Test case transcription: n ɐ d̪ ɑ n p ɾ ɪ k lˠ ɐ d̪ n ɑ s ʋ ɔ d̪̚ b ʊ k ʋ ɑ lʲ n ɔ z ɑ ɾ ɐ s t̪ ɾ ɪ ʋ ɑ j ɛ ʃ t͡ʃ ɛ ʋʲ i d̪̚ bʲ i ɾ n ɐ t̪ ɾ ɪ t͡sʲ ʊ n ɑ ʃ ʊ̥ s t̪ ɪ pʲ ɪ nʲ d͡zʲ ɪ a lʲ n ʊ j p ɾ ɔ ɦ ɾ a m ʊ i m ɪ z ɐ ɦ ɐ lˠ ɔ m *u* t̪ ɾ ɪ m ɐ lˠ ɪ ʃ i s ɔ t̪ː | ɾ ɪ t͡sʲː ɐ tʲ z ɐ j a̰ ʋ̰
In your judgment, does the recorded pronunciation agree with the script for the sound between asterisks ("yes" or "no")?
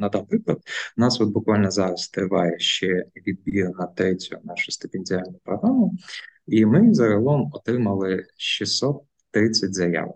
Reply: no